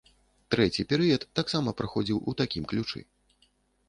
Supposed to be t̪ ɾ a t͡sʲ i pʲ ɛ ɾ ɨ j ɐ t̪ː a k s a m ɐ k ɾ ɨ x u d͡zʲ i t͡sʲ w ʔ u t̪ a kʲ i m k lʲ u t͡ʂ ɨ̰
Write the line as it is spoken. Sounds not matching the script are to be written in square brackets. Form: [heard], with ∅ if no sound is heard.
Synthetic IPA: t̪ ɾ [ɛ] t͡sʲ i pʲ ɛ ɾ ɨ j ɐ t̪ː a k s a m ɐ [p] ɾ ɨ x [ɔ] d͡zʲ i [∅] w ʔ u t̪ a kʲ i m k lʲ u t͡ʂ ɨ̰